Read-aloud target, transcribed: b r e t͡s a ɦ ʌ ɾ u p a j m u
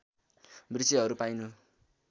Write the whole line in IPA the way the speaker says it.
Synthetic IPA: b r i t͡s i ɦ ʌ ɾ u p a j n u